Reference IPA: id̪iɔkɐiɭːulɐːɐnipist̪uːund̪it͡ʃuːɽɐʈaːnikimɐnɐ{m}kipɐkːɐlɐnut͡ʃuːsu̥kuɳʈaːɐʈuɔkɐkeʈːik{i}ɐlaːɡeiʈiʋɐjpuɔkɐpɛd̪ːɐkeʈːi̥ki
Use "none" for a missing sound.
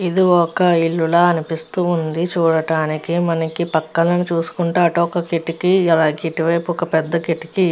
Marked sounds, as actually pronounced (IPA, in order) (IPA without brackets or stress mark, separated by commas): none, i